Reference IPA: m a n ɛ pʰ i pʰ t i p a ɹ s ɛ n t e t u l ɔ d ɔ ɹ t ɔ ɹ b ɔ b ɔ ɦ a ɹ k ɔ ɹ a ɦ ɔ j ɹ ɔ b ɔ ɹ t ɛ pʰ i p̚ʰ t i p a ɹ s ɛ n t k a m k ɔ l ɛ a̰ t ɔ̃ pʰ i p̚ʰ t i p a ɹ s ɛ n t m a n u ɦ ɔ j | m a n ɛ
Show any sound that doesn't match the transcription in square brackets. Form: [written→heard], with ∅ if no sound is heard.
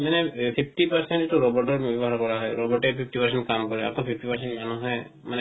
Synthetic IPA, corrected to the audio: m a n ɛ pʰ i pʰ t i p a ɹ s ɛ n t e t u [l→ɹ] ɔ [d→b] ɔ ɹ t ɔ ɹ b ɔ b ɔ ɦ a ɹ k ɔ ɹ a ɦ ɔ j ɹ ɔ b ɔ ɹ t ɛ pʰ i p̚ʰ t i p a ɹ s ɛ n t k a m k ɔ [l→ɹ] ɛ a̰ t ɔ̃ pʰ i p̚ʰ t i p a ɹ s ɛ n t m a n u ɦ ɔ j | m a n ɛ